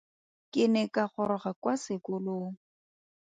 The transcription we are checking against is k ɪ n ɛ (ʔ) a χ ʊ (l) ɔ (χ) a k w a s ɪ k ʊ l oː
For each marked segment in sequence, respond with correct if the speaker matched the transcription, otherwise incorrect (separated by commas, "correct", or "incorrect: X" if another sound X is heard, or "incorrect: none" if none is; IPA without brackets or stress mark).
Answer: incorrect: k, incorrect: ɾ, correct